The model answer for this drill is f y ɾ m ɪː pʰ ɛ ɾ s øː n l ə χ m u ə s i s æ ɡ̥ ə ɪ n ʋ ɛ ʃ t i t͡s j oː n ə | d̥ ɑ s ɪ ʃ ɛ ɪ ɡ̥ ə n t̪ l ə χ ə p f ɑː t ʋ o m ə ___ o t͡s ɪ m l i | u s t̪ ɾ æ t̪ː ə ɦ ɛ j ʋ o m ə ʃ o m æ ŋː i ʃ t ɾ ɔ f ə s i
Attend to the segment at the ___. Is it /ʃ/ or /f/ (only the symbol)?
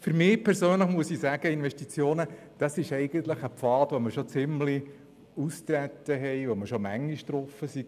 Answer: ʃ